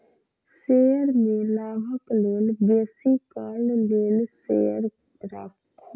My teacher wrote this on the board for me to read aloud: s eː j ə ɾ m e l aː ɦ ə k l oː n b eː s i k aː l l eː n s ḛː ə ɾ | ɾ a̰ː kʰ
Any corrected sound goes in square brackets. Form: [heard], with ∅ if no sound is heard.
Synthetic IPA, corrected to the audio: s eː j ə ɾ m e l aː ɦ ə k l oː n b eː s i k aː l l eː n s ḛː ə ɾ | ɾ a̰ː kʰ